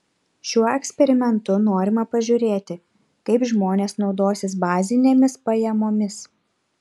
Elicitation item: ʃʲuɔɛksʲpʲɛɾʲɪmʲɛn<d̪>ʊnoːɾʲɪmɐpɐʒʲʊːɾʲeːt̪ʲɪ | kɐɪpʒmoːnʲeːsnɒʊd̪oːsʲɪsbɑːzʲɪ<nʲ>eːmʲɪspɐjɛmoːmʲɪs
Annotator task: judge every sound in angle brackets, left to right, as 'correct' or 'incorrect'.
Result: incorrect: t̪, correct

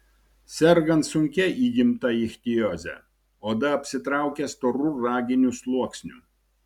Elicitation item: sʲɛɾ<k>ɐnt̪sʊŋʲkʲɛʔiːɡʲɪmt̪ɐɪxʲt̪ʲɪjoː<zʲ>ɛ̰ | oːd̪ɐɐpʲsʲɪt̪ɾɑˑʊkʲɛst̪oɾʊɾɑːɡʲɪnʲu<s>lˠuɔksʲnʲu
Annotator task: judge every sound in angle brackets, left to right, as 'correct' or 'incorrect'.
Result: incorrect: ɡ, correct, correct

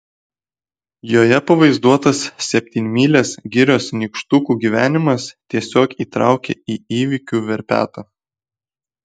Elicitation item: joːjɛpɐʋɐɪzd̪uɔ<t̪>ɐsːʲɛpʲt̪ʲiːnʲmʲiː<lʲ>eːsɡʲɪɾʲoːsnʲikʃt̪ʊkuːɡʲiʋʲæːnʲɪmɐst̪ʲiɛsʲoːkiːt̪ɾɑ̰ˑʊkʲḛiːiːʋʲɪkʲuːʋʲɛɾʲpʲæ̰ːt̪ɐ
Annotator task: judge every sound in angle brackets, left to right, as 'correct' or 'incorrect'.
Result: correct, correct

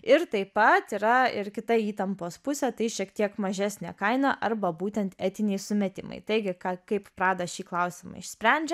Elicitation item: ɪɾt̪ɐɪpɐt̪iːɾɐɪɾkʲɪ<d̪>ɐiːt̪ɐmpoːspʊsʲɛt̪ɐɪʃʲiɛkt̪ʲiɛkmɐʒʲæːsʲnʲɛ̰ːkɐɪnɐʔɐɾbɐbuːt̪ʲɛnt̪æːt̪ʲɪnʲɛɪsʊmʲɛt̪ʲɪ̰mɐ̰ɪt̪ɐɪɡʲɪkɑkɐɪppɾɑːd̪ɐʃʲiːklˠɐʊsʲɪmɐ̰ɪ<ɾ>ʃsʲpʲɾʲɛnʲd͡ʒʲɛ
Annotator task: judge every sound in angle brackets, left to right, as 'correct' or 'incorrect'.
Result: incorrect: t̪, incorrect: none

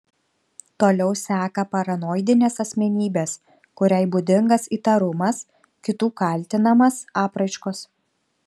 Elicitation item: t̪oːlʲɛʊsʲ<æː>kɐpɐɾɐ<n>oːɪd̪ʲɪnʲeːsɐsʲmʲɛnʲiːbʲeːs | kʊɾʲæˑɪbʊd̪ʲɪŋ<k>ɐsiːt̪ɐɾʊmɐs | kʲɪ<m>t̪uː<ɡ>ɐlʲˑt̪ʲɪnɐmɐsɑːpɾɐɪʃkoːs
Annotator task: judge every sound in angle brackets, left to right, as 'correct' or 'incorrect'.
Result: correct, correct, incorrect: ɡ, incorrect: none, incorrect: k

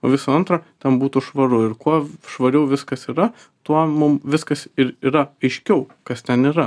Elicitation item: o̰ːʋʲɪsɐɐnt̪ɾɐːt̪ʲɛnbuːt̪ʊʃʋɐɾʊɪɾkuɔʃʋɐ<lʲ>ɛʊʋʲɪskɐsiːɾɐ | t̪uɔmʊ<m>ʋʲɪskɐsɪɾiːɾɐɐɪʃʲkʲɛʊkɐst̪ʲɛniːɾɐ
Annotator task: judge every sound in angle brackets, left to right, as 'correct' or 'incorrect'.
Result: incorrect: ɾʲ, correct

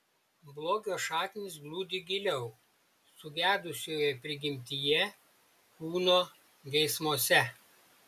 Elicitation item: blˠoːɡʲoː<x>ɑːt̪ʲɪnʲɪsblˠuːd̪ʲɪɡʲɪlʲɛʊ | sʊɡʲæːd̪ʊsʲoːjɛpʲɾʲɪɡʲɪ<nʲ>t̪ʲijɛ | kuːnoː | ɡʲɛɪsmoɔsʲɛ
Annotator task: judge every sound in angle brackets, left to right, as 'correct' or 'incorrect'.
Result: incorrect: ʃ, incorrect: mʲ

